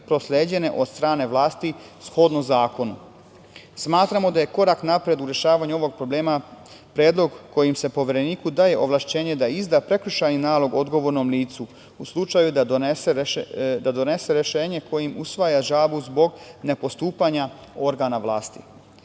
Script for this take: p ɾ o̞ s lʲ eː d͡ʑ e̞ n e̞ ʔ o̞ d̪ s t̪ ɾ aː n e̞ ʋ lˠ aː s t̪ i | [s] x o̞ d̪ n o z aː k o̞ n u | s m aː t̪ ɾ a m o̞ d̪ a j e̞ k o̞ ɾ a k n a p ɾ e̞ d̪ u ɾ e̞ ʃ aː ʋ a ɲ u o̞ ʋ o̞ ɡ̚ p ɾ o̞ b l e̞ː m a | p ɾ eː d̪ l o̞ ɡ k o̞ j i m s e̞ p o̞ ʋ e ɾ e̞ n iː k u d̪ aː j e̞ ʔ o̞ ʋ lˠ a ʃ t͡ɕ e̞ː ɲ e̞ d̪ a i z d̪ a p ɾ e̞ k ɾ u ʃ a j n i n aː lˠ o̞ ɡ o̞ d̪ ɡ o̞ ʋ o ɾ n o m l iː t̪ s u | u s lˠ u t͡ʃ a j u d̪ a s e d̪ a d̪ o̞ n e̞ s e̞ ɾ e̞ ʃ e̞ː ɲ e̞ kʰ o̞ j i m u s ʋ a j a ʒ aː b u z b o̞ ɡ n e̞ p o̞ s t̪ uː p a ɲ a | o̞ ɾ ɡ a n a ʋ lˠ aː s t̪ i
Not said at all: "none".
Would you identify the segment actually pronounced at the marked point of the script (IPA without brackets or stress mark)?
s